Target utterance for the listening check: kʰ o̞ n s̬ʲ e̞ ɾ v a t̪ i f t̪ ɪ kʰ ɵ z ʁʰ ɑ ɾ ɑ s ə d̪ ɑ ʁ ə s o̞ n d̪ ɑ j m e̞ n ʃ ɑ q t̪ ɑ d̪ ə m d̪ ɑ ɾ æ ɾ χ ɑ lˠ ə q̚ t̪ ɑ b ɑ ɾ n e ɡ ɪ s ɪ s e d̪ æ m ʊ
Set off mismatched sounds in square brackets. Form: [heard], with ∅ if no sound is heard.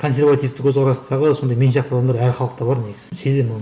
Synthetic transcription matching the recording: kʰ o̞ n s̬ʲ e̞ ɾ v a t̪ i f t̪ ɪ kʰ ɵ z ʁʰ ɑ ɾ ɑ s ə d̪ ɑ ʁ ə s o̞ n d̪ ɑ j m e̞ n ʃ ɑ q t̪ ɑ d̪ [ɑ] m d̪ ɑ ɾ æ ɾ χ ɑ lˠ ə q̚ t̪ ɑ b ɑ ɾ n e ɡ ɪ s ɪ s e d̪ [e] m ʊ